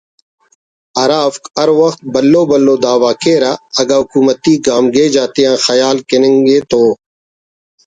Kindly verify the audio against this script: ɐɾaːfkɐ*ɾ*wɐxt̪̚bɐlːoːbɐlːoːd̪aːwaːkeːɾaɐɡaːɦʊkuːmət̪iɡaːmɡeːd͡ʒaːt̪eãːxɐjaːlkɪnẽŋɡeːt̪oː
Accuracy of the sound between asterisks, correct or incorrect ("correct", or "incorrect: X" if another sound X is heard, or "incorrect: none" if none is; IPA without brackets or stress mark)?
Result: correct